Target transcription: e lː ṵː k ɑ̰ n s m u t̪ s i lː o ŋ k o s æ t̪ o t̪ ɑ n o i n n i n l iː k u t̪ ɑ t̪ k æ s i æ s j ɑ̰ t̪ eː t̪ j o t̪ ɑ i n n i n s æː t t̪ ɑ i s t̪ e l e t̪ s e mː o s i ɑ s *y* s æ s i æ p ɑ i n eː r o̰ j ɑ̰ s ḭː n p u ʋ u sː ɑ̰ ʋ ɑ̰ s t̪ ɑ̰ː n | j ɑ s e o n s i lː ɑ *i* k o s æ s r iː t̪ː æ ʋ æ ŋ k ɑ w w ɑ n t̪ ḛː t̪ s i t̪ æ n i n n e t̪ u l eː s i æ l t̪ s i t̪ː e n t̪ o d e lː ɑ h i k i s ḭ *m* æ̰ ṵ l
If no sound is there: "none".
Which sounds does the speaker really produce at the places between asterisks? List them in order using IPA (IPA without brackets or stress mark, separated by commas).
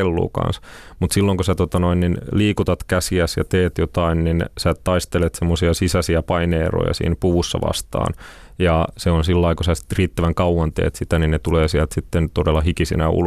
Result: i, i, n